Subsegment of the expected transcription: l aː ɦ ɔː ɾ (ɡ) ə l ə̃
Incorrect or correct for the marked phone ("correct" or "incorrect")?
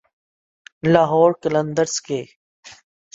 incorrect